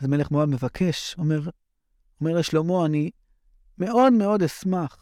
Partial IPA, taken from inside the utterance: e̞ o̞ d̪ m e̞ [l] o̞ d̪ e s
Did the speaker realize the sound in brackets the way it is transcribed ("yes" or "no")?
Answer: no